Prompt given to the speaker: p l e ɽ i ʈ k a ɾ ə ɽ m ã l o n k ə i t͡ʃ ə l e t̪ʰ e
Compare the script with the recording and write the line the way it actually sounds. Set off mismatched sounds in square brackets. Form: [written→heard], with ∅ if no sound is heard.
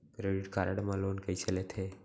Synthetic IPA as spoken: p [l→ɾ] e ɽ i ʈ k a ɾ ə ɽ m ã l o n k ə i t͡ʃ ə l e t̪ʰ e